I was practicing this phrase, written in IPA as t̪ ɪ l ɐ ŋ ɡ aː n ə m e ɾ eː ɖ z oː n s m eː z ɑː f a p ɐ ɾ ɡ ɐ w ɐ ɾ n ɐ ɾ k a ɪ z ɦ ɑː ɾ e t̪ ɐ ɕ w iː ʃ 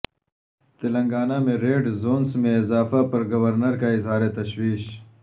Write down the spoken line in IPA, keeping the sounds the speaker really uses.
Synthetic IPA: t̪ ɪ l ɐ ŋ ɡ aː n a m e ɾ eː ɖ z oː n s m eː z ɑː f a p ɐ ɾ ɡ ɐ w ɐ ɾ n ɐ ɾ k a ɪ z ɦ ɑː ɾ e t̪ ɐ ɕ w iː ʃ